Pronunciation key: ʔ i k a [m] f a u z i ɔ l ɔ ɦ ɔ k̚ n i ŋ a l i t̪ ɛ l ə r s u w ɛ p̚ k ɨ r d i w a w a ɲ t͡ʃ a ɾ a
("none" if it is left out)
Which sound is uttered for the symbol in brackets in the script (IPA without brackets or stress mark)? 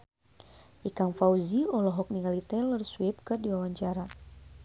ŋ